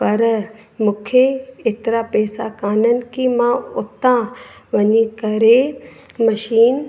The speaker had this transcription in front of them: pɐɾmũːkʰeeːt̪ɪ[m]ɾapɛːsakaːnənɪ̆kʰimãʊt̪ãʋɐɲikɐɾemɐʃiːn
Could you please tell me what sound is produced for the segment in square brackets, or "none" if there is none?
none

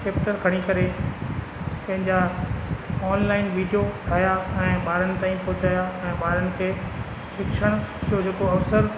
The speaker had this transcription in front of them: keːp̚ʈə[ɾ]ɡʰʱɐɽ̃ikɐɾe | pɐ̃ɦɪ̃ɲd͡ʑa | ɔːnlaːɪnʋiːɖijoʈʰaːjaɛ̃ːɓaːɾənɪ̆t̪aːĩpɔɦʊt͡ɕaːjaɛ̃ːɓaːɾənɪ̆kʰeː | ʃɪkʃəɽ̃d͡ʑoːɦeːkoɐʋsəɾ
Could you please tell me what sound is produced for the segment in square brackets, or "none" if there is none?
ɾ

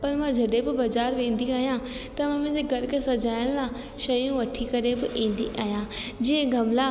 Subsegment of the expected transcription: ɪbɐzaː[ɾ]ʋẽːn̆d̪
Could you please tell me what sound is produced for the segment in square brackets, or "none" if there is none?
ɾ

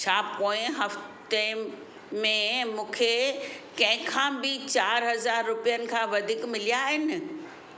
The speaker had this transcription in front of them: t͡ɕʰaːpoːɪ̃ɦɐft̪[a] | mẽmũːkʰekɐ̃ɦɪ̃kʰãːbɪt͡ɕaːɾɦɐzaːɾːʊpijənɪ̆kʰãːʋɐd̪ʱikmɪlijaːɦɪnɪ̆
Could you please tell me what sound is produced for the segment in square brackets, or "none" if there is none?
e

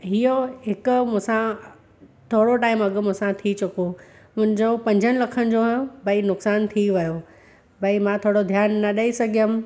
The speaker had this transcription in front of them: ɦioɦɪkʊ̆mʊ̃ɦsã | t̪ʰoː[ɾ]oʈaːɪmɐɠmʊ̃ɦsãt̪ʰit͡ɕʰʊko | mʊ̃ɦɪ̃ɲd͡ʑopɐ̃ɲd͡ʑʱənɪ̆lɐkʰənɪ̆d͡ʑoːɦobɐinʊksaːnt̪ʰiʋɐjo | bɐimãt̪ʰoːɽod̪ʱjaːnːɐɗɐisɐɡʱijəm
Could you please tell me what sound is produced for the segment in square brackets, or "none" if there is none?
ɽ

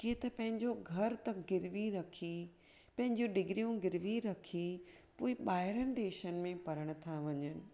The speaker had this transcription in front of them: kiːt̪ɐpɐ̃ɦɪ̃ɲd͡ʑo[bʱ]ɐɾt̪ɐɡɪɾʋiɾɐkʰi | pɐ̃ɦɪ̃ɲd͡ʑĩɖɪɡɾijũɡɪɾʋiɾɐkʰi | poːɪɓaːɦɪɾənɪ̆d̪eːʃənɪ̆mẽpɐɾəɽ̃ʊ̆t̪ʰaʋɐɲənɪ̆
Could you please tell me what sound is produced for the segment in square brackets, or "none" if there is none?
ɡʱ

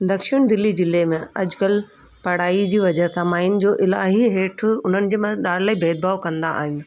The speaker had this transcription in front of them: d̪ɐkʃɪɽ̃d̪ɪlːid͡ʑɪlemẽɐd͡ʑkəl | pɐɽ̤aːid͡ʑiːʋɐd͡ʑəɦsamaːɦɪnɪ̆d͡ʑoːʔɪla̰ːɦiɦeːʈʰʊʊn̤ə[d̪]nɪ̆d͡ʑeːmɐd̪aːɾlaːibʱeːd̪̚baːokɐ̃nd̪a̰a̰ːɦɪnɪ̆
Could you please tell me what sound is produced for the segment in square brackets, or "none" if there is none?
none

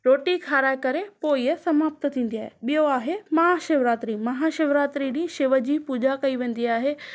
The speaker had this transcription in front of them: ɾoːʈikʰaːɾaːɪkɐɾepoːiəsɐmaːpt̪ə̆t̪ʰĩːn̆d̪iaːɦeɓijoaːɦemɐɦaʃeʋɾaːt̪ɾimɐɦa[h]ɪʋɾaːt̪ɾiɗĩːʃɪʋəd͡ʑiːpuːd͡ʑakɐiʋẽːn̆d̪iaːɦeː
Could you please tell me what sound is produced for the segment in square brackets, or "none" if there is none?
ʃ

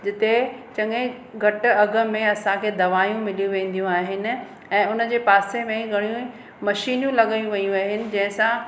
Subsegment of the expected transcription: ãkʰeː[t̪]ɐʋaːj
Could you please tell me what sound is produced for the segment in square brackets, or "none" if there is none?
d̪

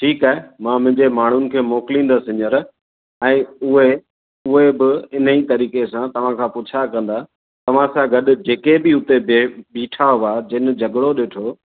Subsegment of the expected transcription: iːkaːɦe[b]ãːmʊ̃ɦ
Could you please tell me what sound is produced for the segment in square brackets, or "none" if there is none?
m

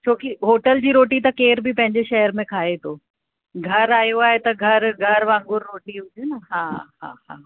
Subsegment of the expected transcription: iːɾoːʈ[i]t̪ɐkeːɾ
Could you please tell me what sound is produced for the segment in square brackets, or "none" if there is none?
i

